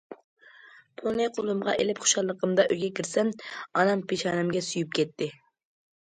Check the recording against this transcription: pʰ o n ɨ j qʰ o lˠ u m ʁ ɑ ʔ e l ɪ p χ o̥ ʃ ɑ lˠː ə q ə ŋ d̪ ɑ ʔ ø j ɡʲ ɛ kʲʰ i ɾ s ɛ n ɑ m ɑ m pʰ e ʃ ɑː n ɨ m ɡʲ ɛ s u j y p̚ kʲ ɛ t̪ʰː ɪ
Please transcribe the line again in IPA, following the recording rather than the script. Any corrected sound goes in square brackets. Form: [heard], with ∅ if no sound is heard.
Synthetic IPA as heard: pʰ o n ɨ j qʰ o lˠ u m ʁ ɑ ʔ e l ɪ p χ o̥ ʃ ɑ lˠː ə q ə [m] d̪ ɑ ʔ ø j ɡʲ ɛ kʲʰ i ɾ s ɛ n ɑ [n] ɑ m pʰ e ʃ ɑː n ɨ m ɡʲ ɛ s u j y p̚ kʲ ɛ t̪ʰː ɪ